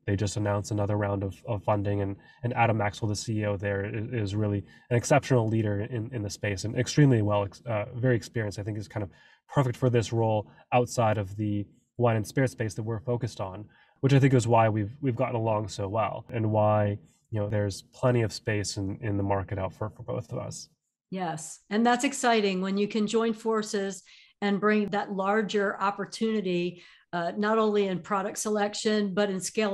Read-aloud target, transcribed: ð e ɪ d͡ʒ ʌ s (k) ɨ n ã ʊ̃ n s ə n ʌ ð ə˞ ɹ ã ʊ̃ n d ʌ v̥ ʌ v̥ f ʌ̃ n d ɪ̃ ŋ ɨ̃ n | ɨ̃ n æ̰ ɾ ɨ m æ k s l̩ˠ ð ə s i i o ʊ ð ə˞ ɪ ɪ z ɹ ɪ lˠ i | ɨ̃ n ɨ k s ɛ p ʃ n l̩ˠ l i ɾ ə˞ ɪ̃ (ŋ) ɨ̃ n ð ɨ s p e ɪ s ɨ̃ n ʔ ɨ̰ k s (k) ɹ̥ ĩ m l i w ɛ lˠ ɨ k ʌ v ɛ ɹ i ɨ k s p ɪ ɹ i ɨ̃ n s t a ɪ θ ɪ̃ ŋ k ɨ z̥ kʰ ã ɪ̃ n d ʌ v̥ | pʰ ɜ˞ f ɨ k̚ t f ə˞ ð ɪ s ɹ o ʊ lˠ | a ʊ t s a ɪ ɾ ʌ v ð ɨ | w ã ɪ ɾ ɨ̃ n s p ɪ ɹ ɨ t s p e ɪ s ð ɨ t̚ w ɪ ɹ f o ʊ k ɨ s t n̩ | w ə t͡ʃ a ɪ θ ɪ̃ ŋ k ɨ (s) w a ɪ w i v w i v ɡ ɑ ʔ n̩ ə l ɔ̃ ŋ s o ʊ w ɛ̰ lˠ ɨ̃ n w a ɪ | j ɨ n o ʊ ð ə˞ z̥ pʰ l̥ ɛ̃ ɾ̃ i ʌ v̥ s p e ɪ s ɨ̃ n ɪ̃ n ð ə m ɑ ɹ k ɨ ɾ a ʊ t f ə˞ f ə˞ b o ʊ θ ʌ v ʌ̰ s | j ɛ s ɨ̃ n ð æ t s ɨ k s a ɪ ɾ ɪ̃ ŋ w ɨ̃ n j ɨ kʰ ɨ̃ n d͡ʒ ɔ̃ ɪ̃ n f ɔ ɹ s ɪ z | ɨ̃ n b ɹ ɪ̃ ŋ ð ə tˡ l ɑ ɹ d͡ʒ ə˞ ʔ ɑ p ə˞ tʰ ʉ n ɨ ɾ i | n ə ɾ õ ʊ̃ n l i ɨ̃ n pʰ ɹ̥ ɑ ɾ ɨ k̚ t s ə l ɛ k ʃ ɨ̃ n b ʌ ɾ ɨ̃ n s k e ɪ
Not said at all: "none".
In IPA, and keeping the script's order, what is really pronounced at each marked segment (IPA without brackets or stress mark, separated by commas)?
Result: t, n, t, z